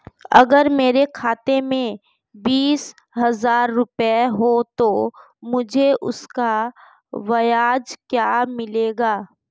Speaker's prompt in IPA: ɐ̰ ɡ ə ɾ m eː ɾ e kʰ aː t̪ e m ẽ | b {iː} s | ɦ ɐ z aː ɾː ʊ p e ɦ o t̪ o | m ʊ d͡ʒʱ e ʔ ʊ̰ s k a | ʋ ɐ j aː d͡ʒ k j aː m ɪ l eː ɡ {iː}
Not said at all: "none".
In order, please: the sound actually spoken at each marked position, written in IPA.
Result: iː, aː

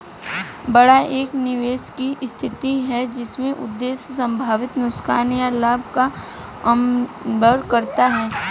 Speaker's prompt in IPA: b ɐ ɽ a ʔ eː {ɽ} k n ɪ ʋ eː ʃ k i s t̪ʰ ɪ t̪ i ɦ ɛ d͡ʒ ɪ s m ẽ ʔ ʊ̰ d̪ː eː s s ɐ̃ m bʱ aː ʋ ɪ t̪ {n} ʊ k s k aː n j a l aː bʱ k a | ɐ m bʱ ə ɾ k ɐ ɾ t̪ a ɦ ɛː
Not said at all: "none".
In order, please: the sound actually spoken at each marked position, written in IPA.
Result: none, n

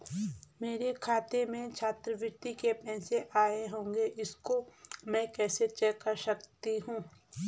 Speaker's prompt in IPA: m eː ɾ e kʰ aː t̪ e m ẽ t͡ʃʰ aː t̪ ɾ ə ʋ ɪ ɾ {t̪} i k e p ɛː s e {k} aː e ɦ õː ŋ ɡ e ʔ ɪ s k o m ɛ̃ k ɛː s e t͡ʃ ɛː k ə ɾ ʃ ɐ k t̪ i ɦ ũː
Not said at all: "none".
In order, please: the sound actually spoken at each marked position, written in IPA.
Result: t̪, ʔ

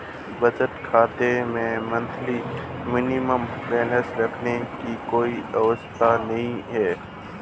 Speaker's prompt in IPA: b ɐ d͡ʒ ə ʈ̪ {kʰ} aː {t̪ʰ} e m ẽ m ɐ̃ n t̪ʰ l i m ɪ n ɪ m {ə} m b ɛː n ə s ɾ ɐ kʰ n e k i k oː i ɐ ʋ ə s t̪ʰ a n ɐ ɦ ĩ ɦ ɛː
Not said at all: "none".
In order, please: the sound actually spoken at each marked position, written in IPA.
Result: kʰ, t̪, ə

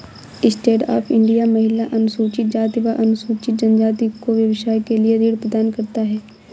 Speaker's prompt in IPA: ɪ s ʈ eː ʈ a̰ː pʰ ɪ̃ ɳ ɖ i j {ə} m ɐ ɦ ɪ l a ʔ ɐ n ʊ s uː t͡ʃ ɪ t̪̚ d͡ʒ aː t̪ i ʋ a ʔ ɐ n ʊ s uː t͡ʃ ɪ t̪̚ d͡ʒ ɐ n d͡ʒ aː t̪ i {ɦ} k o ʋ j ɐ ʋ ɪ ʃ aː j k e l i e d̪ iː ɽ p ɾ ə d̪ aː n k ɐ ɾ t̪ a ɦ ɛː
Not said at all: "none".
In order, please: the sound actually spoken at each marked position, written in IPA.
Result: a, none

